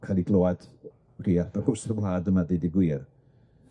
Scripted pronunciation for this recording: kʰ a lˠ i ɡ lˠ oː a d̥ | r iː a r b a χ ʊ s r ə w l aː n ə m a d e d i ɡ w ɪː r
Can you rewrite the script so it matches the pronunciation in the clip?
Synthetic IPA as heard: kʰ a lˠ i ɡ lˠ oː a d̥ | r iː a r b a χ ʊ s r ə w l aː d ə m a d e d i ɡ w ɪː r